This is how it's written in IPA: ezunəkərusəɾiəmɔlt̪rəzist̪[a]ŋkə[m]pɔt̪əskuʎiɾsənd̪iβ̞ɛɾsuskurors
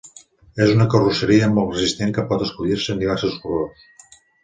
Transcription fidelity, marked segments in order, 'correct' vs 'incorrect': incorrect, incorrect

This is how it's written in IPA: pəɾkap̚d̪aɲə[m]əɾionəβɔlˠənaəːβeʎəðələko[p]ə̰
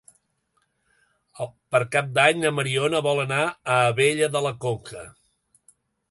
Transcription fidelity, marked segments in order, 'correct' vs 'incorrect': correct, incorrect

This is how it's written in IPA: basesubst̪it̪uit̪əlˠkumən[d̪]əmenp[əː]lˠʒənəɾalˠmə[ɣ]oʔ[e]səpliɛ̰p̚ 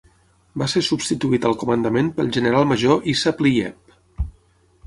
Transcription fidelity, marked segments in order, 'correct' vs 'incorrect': correct, incorrect, incorrect, incorrect

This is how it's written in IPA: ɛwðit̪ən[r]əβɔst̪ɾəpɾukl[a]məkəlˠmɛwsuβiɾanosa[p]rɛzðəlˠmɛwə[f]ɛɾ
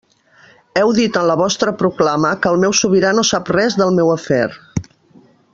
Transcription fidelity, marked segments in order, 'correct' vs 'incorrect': incorrect, correct, correct, correct

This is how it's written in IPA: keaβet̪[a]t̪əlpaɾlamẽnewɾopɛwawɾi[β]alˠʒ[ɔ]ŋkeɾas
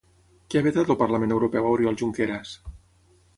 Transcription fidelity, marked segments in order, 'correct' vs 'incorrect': correct, incorrect, incorrect

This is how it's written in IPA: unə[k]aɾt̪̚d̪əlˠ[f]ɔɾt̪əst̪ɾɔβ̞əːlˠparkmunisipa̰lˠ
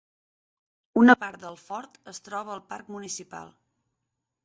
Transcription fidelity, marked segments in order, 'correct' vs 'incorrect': incorrect, correct

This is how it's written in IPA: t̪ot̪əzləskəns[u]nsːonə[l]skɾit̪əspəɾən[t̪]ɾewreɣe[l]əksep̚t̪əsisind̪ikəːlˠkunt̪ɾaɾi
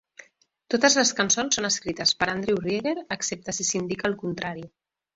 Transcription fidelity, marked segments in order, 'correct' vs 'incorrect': incorrect, incorrect, incorrect, incorrect

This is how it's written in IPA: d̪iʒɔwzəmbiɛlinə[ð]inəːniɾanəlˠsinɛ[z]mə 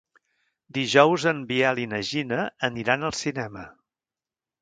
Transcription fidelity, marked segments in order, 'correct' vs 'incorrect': incorrect, incorrect

